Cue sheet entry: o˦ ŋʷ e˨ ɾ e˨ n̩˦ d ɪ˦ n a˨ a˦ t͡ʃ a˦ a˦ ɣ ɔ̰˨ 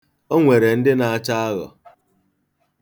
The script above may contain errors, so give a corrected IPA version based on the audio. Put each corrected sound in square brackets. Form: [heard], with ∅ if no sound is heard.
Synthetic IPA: o˦ ŋʷ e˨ ɾ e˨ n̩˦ d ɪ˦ n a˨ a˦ t͡ʃ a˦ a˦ ɣ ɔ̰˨